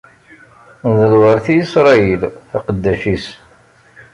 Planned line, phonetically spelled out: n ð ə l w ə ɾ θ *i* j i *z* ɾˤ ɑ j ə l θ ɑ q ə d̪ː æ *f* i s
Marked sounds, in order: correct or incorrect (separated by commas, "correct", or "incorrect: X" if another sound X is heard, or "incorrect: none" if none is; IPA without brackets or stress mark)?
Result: correct, incorrect: s, incorrect: ʃ